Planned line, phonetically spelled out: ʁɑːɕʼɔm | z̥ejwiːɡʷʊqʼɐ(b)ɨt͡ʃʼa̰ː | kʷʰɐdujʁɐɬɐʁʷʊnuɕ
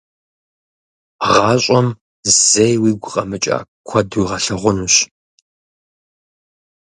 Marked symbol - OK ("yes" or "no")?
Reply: no